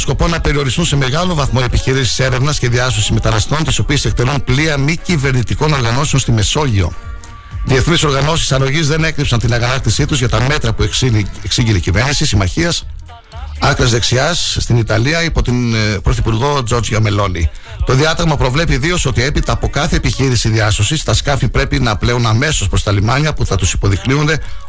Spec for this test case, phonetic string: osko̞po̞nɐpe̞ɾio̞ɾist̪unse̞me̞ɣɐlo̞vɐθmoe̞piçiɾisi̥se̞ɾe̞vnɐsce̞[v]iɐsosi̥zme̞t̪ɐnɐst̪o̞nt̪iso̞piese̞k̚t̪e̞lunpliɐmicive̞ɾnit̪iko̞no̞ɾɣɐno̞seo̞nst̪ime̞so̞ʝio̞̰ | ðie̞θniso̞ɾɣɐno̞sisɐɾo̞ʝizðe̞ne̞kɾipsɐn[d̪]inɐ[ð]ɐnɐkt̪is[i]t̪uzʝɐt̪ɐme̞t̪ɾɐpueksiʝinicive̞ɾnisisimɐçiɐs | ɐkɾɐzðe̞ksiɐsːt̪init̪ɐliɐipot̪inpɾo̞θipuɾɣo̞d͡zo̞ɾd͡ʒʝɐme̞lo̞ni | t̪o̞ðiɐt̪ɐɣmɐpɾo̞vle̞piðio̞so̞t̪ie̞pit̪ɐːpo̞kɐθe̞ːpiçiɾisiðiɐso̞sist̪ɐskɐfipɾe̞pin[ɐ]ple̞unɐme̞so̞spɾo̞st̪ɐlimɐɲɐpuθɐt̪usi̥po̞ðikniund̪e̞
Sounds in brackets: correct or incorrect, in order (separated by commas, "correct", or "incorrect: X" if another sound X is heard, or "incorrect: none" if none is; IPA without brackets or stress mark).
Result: incorrect: ð, incorrect: t̪, incorrect: ɣ, correct, correct